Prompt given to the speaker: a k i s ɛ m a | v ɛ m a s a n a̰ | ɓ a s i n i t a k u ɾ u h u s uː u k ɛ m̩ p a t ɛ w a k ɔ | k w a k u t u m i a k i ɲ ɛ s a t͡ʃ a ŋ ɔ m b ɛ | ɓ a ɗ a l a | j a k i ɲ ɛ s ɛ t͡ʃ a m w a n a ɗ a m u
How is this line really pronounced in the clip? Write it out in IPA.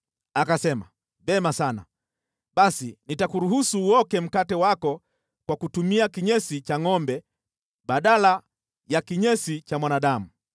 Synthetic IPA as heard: a k a s ɛ m a | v ɛ m a s a n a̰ | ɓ a s i n i t a k u ɾ u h u s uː ɔ k ɛ m̩ k a t ɛ w a k ɔ | k w a k u t u m i a k i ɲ ɛ s i t͡ʃ a ŋ ɔ m b ɛ | ɓ a ɗ a l a | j a k i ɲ ɛ s i t͡ʃ a m w a n a ɗ a m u